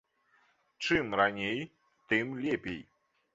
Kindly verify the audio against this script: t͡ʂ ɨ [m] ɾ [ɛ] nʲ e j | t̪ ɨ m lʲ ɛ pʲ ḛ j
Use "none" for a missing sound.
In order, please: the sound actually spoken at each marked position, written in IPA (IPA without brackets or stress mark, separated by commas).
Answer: m, a